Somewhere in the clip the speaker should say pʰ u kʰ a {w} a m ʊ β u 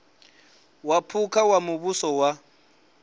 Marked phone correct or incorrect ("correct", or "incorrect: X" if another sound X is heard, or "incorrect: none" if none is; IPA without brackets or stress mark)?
correct